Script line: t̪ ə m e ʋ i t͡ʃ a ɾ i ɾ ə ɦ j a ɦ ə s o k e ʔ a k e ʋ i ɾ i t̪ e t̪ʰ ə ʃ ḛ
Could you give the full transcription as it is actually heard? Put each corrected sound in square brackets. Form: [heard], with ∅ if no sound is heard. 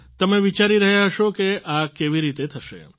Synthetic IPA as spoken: t̪ ə m e ʋ i t͡ʃ a ɾ i ɾ ə ɦ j a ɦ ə [ʃ] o k e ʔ a k e ʋ i ɾ i t̪ e t̪ʰ ə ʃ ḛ